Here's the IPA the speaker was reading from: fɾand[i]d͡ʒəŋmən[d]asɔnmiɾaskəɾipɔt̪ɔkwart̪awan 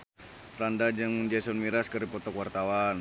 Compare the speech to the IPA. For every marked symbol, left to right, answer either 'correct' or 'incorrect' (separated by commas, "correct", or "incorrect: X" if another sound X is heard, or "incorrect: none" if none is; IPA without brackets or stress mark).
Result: incorrect: a, incorrect: d͡ʒ